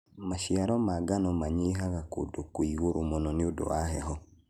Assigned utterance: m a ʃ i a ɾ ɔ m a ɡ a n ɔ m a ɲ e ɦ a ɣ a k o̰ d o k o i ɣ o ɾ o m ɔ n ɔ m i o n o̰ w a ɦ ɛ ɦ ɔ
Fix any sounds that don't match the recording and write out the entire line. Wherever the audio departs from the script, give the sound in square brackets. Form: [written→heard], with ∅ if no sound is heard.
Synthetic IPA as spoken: m a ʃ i a ɾ ɔ m a ɡ a n ɔ m a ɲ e ɦ a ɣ a k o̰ d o k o i ɣ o ɾ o m ɔ n ɔ [m→n] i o [n→d] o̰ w a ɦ ɛ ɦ ɔ